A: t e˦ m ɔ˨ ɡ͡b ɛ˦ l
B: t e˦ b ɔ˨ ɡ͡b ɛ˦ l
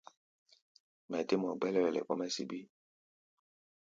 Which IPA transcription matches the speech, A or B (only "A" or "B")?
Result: A